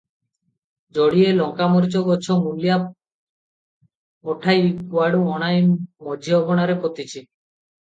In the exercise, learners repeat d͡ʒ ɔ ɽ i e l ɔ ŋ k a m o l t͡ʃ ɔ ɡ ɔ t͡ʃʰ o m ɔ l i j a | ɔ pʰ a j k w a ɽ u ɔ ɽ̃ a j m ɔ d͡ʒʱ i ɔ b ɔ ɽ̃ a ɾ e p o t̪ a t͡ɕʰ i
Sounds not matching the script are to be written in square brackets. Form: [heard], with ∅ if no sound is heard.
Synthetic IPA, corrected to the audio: d͡ʒ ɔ ɽ i e l ɔ ŋ k a m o [ɾ] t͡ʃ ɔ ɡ ɔ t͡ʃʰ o m [u] l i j a | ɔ [ʈʰ] a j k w a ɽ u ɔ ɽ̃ a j m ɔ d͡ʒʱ i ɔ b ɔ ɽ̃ a ɾ e p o t̪ [i] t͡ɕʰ i

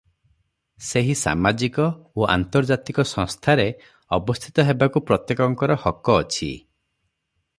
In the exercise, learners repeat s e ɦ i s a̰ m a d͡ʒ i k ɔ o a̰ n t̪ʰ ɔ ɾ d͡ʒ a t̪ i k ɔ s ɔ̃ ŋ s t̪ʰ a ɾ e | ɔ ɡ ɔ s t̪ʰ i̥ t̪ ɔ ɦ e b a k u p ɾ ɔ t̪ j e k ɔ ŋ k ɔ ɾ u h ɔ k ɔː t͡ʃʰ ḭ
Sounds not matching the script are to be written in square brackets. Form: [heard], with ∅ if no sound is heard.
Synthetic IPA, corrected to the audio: s e ɦ i s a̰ m a d͡ʒ i k ɔ o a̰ n [t̪] ɔ ɾ d͡ʒ a t̪ i k ɔ s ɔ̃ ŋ s t̪ʰ a ɾ e | ɔ [b] ɔ s t̪ʰ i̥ t̪ ɔ ɦ e b a k u p ɾ ɔ t̪ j e k ɔ ŋ k ɔ ɾ [ɔ] h ɔ k ɔː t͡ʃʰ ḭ

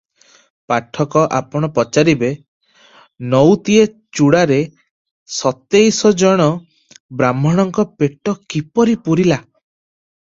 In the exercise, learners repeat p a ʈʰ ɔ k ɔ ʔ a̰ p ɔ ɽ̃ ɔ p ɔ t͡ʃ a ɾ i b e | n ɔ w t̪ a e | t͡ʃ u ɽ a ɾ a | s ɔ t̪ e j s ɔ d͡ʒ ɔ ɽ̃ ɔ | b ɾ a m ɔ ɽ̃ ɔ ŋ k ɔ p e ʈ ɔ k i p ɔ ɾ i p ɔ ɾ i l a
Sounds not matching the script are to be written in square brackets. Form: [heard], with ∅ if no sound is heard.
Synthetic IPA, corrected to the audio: p a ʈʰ ɔ k ɔ ʔ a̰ p ɔ ɽ̃ ɔ p ɔ t͡ʃ a ɾ i b e | n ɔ w t̪ [i] e | t͡ʃ u ɽ a ɾ [e] | s ɔ t̪ e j s ɔ d͡ʒ ɔ ɽ̃ ɔ | b ɾ a m ɔ ɽ̃ ɔ ŋ k ɔ p e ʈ ɔ k i p ɔ ɾ i p [u] ɾ i l a

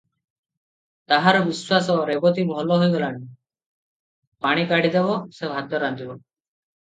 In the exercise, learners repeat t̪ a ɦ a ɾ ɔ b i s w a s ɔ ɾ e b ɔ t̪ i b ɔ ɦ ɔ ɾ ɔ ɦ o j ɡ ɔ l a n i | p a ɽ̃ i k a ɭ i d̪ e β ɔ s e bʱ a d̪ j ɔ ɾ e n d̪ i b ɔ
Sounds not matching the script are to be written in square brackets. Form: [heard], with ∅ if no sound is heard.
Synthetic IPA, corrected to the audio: t̪ a ɦ a ɾ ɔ b i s w a s ɔ ɾ e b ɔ t̪ i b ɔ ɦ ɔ [l] ɔ ɦ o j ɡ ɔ l a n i | p a ɽ̃ i k a [ɽ] i d̪ e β ɔ s e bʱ a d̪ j ɔ ɾ [a] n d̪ i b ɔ

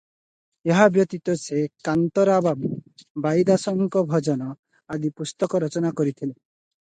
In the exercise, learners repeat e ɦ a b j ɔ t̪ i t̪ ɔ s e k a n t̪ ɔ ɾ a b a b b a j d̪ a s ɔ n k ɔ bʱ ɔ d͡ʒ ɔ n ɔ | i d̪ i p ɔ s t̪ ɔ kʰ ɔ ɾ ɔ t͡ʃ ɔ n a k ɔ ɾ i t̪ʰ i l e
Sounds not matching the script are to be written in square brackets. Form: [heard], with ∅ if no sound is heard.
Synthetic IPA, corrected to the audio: e ɦ a b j ɔ t̪ i t̪ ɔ s e k a n t̪ ɔ ɾ a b a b b a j d̪ a s ɔ [ŋ] k ɔ bʱ ɔ d͡ʒ ɔ n ɔ | [a] d̪ i p [u] s t̪ ɔ [k] ɔ ɾ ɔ t͡ʃ ɔ n a k ɔ ɾ i t̪ʰ i l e

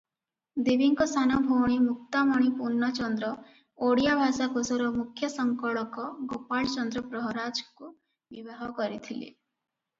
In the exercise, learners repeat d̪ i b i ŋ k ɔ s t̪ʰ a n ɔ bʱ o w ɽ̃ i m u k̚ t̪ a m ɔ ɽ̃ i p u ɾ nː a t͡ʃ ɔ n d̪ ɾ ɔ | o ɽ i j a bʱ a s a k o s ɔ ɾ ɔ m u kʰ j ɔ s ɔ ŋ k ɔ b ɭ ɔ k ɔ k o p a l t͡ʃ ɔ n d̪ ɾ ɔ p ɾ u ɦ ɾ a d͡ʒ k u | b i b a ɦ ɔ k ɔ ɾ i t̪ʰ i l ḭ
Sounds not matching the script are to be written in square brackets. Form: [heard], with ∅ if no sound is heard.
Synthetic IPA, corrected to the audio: d̪ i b i ŋ k ɔ s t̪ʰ a n ɔ bʱ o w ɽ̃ i m u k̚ t̪ a m ɔ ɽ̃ i p u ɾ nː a t͡ʃ ɔ n d̪ ɾ ɔ | o ɽ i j a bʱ a s a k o s ɔ ɾ ɔ m u kʰ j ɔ s ɔ ŋ k ɔ [∅] ɭ ɔ k ɔ [ɡ] o p a [ɭ] t͡ʃ ɔ n d̪ ɾ ɔ p ɾ [ɔ] ɦ ɾ a d͡ʒ k u | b i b a ɦ ɔ k ɔ ɾ i t̪ʰ i l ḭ

